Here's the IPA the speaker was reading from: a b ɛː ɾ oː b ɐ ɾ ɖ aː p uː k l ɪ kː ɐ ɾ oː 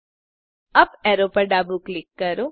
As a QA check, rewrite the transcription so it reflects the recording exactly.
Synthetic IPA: ɐ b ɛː ɾ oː p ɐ ɾ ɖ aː b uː k l ɪ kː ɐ ɾ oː